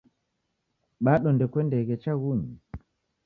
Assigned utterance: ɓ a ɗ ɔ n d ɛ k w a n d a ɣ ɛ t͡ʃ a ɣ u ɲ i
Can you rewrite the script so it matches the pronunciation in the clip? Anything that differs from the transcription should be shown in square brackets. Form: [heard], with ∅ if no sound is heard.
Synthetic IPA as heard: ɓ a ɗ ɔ n d ɛ k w [ɛ] n d [ɛ] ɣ ɛ t͡ʃ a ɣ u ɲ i